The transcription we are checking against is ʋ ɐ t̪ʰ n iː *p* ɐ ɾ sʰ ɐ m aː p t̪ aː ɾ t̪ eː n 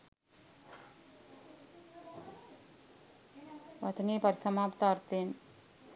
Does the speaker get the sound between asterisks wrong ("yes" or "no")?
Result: no